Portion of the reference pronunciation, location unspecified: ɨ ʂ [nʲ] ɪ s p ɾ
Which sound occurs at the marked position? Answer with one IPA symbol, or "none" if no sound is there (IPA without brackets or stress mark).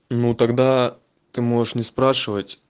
nʲ